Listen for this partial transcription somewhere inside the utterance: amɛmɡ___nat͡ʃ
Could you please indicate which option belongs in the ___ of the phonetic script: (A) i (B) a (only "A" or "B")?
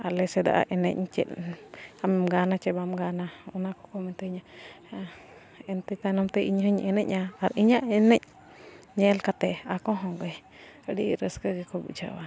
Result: B